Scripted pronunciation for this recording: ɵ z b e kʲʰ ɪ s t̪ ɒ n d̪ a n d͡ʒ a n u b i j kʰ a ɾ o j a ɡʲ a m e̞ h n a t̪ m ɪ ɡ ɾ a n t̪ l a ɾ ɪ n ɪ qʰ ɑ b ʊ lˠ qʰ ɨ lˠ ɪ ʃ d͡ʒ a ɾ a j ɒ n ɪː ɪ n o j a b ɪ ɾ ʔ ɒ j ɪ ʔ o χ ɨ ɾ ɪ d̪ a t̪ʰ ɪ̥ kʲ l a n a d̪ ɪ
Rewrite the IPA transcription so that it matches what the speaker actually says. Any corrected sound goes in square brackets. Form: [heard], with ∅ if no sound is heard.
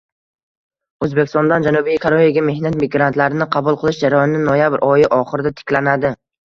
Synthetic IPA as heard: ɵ z b e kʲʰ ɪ s t̪ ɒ n d̪ a n d͡ʒ a n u b i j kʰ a ɾ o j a ɡʲ a m e̞ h n a t̪ m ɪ ɡ ɾ a n t̪ l a ɾ ɪ n ɪ qʰ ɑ b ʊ lˠ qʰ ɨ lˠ ɪ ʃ d͡ʒ a ɾ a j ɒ n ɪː ɪ n o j a b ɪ ɾ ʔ ɒ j ɪ ʔ [ɒ] χ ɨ ɾ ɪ d̪ a t̪ʰ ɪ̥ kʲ l a n a d̪ ɪ